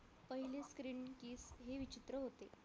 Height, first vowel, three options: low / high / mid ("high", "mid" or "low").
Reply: mid